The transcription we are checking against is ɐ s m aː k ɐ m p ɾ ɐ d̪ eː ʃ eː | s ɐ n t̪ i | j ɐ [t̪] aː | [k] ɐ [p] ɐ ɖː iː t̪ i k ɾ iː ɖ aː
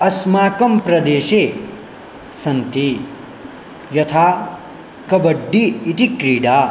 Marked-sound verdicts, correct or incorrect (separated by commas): incorrect, correct, incorrect